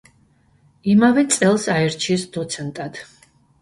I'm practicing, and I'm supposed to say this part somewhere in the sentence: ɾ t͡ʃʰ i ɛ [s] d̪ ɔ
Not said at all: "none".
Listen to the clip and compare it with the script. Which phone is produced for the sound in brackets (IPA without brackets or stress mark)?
s